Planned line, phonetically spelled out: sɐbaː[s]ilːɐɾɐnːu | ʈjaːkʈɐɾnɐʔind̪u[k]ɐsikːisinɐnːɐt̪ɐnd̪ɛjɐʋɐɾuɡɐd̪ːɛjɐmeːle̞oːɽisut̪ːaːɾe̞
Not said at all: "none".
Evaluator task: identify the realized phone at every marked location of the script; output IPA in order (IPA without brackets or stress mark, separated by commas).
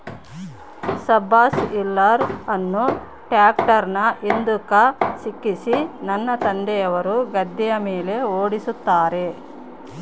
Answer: s, k